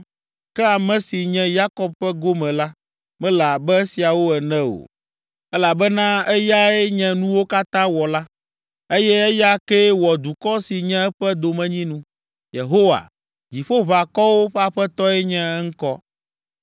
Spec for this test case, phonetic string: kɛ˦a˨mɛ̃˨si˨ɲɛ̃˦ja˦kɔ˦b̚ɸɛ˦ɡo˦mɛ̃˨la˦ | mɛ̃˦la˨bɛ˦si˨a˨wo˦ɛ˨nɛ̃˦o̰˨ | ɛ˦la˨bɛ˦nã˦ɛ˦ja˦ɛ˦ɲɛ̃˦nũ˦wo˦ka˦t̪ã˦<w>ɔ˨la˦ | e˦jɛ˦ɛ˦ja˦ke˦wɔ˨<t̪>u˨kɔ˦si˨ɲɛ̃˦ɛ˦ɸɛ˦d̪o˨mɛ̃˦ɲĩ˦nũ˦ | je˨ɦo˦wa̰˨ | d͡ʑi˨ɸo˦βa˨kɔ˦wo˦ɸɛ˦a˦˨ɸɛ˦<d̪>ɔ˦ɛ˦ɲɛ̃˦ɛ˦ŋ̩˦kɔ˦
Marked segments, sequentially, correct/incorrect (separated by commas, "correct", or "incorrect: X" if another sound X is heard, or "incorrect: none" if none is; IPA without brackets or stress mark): correct, incorrect: d̪, incorrect: t̪